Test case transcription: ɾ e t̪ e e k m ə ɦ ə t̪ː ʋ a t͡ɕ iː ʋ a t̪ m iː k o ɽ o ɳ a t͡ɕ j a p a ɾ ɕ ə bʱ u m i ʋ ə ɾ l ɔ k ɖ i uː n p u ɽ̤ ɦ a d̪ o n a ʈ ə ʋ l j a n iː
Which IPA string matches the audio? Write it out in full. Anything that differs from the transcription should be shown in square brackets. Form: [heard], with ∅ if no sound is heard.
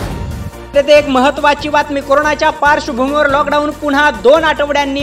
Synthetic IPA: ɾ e t̪ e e k m ə ɦ ə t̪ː ʋ a t͡ɕ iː ʋ a t̪ m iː k o [ɾ] o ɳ a t͡ɕ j a p a ɾ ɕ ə bʱ u m i ʋ ə ɾ l ɔ k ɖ [a] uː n p u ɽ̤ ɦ a d̪ o n a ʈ ə ʋ [ɽ] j a [nː] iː